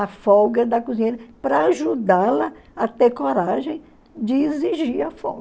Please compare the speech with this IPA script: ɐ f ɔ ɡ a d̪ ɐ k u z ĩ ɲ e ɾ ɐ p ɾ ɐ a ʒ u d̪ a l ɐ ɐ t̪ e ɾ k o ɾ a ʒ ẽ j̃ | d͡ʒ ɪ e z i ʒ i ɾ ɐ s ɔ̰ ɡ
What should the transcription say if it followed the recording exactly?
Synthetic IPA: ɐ f ɔ ɡ ɐ d̪ ɐ k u z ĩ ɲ e ɾ ɐ p ɾ ɐ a ʒ u d̪ a l ɐ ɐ t̪ e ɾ k o ɾ a ʒ ẽ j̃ | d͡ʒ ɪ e z i ʒ i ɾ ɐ f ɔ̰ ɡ